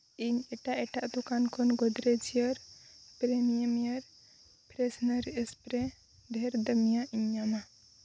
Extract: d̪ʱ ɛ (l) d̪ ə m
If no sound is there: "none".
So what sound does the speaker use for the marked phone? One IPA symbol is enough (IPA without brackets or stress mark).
ɾ